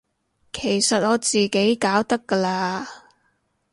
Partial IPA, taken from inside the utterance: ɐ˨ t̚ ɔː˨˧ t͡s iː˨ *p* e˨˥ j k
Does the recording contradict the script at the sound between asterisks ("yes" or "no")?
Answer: yes